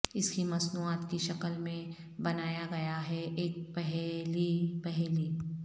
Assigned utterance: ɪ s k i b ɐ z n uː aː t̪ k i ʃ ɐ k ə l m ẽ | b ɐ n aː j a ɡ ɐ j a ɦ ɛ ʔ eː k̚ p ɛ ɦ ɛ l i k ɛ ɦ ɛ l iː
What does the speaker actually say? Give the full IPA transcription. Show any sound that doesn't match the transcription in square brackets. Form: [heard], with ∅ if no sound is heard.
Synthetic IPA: ɪ s k i [m] ɐ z n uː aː t̪ k i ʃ ɐ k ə l m ẽ | b ɐ n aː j a ɡ ɐ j a ɦ ɛ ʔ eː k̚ p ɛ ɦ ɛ l i [p] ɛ ɦ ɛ l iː